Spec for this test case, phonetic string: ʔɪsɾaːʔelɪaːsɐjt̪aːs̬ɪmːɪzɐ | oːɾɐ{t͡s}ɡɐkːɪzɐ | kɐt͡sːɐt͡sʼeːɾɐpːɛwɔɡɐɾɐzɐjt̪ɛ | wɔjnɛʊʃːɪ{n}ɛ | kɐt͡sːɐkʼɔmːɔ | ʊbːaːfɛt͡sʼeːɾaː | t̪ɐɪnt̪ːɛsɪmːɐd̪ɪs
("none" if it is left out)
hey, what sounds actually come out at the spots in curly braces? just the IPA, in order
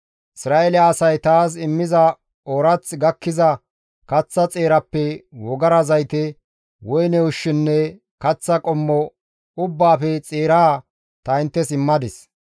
t͡s, nː

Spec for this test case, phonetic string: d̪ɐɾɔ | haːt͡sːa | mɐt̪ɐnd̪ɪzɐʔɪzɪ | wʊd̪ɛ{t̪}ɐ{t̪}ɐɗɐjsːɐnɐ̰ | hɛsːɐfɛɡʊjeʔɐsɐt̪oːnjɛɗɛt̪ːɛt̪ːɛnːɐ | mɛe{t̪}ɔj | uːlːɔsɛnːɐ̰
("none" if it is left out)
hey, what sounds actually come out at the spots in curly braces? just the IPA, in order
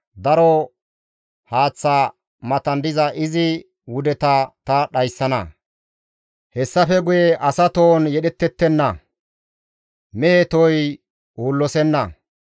t̪, t̪, t̪

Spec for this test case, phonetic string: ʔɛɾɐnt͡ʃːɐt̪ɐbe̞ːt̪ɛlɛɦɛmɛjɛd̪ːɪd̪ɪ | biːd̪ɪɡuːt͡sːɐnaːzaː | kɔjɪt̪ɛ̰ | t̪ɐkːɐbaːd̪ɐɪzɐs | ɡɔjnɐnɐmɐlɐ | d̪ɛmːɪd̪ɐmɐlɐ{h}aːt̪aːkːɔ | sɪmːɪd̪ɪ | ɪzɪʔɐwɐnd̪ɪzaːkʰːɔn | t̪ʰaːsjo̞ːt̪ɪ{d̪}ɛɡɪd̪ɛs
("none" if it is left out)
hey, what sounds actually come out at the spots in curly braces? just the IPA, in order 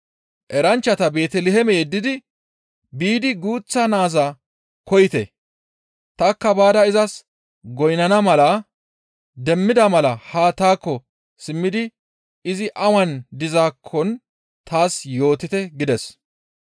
h, t̪

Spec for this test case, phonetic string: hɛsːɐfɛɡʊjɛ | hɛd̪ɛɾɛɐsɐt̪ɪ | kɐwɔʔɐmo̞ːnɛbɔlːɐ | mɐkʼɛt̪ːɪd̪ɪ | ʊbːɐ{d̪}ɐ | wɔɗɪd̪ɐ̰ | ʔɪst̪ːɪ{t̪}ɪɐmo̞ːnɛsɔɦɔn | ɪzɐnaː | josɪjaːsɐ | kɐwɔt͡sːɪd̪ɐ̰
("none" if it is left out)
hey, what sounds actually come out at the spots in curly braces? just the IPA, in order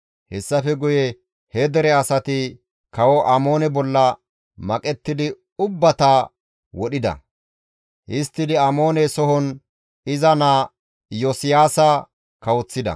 t̪, d̪

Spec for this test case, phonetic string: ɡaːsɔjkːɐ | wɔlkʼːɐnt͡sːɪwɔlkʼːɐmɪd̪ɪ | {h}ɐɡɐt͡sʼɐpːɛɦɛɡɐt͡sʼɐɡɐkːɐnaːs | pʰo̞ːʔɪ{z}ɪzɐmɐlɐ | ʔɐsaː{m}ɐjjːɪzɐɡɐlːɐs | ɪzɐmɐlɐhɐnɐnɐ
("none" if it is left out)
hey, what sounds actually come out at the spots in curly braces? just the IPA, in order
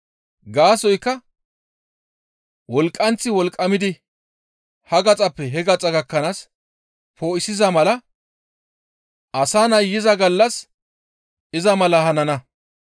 h, s, n

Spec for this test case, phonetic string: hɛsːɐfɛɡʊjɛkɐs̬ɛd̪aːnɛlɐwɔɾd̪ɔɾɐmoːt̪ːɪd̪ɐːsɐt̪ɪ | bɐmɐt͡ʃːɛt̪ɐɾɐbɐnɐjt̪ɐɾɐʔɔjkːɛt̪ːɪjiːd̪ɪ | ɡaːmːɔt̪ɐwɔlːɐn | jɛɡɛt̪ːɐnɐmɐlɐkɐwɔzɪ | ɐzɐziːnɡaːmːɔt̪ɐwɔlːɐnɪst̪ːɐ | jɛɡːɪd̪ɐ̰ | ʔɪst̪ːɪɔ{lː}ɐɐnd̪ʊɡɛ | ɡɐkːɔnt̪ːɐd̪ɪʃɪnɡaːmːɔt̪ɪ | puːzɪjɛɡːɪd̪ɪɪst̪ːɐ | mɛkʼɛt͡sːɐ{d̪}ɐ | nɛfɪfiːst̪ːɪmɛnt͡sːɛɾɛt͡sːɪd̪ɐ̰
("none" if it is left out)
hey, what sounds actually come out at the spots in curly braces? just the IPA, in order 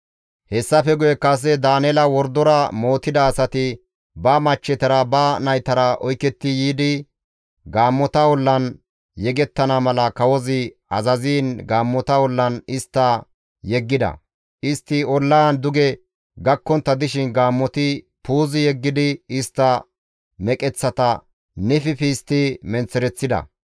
lː, t̪

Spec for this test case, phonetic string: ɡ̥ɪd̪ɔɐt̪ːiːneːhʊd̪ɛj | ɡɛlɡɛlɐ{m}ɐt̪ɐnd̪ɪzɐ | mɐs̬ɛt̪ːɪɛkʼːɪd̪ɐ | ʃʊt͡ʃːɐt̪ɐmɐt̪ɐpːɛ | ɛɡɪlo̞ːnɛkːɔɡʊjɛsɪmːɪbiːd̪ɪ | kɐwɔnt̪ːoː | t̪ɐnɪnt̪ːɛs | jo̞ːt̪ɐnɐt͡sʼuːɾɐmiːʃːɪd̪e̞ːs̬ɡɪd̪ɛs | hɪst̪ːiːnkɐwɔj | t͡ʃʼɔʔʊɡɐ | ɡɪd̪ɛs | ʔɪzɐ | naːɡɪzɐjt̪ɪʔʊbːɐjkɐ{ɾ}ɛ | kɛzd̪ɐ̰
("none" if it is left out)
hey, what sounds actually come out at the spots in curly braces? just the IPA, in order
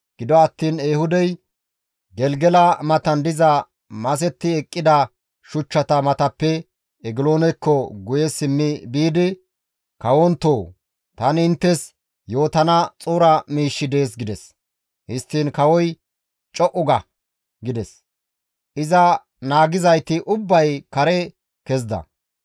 m, ɾ

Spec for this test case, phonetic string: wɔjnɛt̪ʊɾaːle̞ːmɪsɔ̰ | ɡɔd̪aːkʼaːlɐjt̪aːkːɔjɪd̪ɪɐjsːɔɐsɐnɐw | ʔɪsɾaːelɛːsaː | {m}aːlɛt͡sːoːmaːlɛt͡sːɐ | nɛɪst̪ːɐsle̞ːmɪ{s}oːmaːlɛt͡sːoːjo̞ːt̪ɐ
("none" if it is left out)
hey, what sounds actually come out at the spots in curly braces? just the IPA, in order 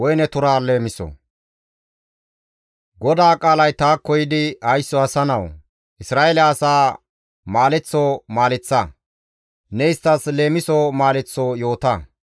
m, s

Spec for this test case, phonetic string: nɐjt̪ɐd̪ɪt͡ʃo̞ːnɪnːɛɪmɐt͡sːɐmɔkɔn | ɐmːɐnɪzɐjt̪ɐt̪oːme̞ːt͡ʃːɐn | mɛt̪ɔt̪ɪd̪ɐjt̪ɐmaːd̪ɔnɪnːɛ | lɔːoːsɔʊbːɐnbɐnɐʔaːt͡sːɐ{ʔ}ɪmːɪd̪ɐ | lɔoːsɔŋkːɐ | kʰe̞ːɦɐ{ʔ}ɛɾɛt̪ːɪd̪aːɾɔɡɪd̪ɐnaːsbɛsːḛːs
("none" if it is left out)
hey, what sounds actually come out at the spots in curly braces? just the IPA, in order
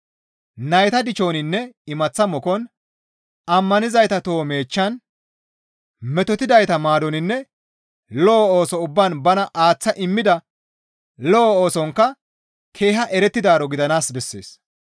ʔ, ʔ

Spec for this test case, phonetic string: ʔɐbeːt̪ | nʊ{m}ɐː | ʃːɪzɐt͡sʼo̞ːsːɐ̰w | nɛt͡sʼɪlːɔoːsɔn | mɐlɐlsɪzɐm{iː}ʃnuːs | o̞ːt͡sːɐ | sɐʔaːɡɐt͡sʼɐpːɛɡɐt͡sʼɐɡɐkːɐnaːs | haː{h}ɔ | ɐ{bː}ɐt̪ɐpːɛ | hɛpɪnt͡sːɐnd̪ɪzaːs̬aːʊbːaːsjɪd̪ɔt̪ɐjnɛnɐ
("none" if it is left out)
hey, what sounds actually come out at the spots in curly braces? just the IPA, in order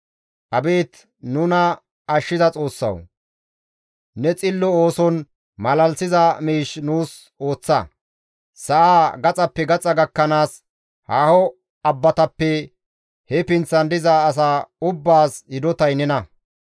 n, iː, h, bː

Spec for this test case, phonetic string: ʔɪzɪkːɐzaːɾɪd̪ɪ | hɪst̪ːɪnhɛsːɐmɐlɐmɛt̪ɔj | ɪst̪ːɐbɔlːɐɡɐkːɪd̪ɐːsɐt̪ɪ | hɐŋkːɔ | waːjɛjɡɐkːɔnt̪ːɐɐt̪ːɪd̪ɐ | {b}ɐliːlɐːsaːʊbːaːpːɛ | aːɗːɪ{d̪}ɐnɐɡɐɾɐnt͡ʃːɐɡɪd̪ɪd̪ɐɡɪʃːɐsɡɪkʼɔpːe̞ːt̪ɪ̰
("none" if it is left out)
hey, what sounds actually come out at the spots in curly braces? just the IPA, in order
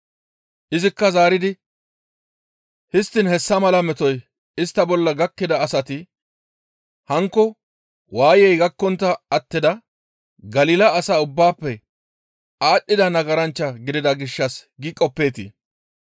ɡ, d̪

